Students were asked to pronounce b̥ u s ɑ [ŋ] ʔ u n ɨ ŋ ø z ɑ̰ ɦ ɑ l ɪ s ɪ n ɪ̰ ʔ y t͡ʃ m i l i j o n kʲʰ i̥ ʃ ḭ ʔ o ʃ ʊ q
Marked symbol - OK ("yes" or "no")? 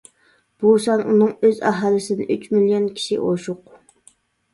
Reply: no